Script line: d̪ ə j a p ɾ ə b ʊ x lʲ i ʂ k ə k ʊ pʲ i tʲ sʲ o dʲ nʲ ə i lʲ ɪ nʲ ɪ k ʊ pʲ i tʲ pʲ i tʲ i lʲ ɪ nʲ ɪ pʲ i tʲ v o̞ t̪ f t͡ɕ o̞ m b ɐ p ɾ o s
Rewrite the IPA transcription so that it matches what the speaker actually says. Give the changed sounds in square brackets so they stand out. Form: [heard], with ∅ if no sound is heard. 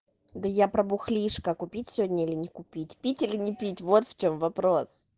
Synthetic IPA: d̪ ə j a p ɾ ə b ʊ x lʲ i ʂ k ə k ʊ pʲ i tʲ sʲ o dʲ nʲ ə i lʲ ɪ nʲ ɪ k ʊ pʲ i tʲ pʲ i tʲ i lʲ ɪ nʲ ɪ pʲ i tʲ v o̞ t̪ f t͡ɕ o̞ m [v] ɐ p ɾ o s